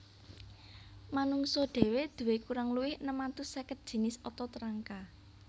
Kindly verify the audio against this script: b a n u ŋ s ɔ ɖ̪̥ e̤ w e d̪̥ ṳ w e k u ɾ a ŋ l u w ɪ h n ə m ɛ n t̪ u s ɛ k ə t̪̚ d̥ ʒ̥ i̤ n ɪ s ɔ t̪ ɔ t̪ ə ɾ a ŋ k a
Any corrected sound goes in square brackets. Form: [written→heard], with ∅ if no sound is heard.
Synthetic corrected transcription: [b→m] a n u ŋ s ɔ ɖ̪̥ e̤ w e d̪̥ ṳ w e k u ɾ a ŋ l u w ɪ h n ə m [ɛ→a] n t̪ u s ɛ k ə t̪̚ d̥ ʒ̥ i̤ n ɪ s ɔ t̪ ɔ t̪ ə ɾ a ŋ k a